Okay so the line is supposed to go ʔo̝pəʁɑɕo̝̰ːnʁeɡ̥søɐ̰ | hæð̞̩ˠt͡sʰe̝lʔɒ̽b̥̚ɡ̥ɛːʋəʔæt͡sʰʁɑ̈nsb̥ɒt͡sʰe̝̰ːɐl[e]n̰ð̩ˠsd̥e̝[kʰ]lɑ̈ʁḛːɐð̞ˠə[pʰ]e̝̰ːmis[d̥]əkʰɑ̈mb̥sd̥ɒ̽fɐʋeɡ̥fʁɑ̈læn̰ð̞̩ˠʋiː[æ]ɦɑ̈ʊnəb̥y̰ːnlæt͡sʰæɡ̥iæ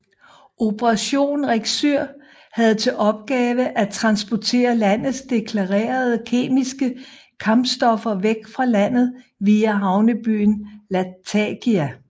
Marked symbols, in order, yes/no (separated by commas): no, yes, no, no, yes